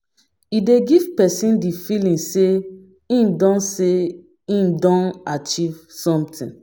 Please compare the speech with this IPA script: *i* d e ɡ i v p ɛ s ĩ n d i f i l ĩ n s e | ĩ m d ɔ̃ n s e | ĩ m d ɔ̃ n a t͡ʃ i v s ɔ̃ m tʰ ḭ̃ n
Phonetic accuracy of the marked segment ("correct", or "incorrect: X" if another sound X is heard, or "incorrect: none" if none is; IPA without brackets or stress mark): correct